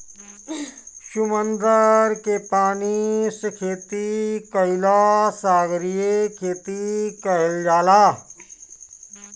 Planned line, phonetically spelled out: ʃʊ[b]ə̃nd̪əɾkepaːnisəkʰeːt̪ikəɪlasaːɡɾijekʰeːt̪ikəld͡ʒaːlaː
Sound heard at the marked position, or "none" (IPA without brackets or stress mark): m